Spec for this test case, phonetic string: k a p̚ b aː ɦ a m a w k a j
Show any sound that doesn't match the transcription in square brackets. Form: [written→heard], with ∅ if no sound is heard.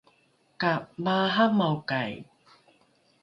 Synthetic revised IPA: k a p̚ [b→m] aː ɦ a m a w k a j